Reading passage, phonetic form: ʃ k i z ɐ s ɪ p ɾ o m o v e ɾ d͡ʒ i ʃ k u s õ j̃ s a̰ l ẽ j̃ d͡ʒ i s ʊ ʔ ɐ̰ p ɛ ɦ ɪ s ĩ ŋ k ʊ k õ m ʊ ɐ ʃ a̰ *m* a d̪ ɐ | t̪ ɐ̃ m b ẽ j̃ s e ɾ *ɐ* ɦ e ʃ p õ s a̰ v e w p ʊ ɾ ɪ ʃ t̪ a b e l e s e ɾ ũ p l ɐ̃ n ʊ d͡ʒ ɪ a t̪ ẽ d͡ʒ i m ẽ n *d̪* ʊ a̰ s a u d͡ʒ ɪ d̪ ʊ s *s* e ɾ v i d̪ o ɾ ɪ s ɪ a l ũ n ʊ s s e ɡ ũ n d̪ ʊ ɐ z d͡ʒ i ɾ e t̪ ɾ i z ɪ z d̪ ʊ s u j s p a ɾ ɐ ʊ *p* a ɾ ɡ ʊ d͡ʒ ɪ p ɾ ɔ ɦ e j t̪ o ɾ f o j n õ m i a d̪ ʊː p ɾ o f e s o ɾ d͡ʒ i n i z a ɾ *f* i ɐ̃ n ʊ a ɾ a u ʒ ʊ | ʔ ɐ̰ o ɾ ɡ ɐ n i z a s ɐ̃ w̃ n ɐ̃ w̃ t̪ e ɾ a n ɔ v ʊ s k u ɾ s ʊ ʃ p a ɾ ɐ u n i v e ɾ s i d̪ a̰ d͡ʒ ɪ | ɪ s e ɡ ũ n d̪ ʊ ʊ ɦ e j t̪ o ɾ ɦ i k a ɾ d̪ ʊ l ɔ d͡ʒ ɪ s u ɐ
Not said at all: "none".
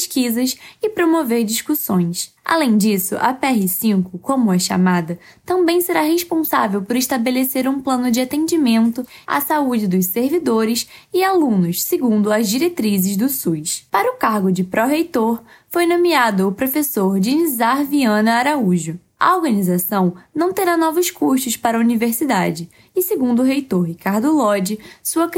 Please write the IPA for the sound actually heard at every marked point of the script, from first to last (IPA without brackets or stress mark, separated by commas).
m, a, t̪, s, k, v